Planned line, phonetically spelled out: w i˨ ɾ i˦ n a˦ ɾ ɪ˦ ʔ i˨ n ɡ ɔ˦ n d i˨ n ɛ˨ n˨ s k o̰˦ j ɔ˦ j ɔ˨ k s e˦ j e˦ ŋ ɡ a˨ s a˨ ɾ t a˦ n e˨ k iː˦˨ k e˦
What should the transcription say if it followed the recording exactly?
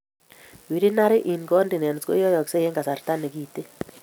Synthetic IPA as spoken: w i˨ ɾ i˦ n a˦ ɾ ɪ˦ ʔ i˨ n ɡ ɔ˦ n d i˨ n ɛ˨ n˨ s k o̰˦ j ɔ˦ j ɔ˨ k s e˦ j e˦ ŋ ɡ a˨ s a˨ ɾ t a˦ n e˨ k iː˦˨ t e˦